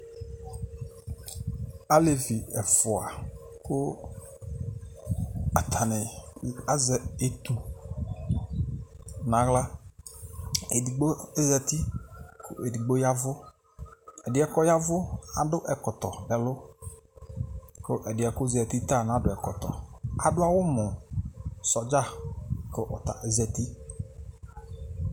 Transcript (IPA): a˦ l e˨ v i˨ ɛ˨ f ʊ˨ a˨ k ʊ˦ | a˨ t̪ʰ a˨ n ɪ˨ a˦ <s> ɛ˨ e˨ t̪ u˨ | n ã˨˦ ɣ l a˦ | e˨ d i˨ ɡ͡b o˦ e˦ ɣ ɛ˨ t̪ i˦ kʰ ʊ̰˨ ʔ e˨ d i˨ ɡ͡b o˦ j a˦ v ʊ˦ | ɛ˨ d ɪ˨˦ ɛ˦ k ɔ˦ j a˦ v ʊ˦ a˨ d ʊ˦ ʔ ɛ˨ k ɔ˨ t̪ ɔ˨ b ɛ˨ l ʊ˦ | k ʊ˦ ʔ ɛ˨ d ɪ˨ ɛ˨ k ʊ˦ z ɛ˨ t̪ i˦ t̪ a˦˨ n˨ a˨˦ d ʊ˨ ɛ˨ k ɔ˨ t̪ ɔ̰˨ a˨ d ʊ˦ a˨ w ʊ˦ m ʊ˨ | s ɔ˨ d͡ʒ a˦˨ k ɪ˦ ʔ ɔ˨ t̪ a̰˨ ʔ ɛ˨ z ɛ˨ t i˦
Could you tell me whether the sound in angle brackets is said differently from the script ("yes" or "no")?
yes